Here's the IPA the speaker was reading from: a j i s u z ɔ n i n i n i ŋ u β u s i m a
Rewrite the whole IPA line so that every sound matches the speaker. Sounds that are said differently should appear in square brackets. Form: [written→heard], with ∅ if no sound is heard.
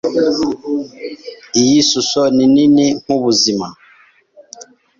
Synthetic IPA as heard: [a→i] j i s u [z→s] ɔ n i n i n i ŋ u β u [s→z] i m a